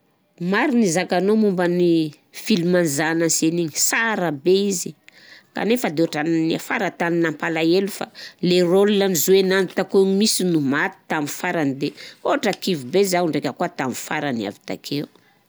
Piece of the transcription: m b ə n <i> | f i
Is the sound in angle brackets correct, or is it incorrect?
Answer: correct